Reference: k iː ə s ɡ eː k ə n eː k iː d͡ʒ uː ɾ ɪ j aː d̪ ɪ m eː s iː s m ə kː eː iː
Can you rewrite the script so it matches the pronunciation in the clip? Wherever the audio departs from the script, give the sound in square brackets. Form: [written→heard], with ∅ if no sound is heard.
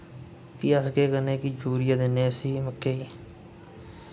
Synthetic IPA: k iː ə s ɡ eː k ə n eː k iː d͡ʒ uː ɾ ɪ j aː d̪ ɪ [m→n] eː s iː [s→∅] m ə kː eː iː